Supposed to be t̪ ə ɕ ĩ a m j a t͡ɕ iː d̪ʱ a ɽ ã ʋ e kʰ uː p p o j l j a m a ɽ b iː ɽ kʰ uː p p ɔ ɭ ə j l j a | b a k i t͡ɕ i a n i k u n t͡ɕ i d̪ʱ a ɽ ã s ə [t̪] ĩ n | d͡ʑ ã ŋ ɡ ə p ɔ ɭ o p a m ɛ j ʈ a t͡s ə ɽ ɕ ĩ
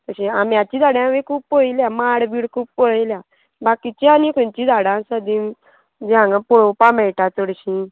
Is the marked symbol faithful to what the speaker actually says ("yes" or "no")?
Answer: no